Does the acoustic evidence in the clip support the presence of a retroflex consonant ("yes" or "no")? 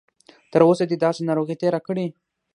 yes